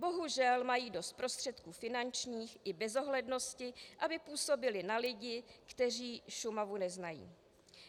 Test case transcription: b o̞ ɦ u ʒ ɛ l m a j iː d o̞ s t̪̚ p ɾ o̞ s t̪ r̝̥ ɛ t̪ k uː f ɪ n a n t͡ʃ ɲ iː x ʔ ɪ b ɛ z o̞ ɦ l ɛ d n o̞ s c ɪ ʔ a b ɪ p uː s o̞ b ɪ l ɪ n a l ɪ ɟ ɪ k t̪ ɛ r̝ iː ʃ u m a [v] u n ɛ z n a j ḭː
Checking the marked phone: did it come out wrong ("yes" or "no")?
no